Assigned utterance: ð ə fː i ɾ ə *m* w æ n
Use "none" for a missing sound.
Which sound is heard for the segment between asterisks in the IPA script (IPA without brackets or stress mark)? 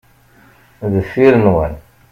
n